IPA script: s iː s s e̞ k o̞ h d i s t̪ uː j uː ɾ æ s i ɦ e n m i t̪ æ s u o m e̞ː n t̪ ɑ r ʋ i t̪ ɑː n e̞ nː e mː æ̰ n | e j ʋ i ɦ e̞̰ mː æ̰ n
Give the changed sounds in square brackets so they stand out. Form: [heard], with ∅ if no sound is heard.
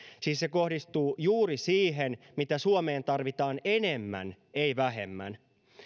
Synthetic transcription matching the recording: s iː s s e̞ k o̞ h d i s t̪ uː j uː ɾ [i] s [iː] ɦ e n m i t̪ æ s u o m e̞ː n t̪ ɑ r ʋ i t̪ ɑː n e̞ [n] e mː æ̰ n | e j ʋ [æ] ɦ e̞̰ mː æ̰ n